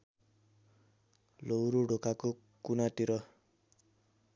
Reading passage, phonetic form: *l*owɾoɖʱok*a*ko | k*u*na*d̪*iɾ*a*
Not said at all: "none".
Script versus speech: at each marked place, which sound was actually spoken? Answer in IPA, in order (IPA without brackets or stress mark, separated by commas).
l, a, u, t̪, ʌ